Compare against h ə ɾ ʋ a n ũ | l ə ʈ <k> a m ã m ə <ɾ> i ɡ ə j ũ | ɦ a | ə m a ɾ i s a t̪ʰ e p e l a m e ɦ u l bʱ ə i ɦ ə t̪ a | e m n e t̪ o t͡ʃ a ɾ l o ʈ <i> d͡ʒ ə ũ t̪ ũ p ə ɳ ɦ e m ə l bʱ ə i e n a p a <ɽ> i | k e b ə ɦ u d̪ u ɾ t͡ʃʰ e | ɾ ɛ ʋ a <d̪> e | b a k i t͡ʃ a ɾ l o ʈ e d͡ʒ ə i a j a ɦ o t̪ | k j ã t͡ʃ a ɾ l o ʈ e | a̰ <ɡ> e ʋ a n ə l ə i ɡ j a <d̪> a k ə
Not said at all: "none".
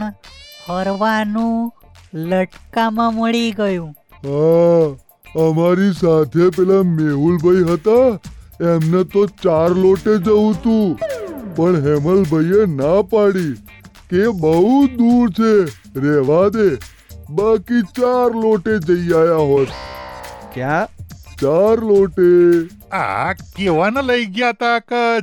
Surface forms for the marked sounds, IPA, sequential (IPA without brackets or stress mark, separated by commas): k, ɭ, e, ɽ, d̪, k, t̪